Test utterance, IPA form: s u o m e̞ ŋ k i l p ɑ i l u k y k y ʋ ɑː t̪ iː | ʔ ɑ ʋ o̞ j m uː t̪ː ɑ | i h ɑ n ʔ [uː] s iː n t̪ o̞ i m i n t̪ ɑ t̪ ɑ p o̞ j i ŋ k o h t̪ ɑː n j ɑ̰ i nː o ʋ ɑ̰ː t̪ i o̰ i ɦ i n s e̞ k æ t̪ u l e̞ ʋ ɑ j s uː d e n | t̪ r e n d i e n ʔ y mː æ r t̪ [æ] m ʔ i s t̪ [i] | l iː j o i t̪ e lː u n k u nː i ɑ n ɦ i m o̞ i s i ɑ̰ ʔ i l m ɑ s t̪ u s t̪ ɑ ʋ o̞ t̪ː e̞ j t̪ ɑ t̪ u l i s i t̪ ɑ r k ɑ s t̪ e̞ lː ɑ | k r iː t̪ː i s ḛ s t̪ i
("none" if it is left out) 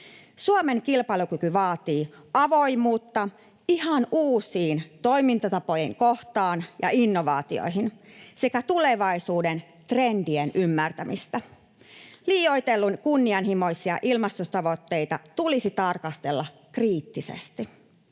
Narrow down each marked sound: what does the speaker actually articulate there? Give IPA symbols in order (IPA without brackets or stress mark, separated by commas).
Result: uː, æ, æ